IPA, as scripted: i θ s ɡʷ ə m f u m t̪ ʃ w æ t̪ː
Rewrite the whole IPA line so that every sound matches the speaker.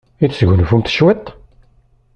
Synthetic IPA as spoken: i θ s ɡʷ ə n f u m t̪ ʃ w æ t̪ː